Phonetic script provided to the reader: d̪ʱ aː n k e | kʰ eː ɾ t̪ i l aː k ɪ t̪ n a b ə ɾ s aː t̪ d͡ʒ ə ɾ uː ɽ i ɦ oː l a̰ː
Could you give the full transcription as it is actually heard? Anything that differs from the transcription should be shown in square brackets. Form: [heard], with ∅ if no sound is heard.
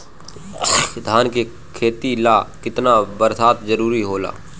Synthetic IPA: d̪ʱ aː n k e | kʰ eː [∅] t̪ i l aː k ɪ t̪ n a b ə ɾ s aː t̪ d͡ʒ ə ɾ uː [ɾ] i ɦ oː l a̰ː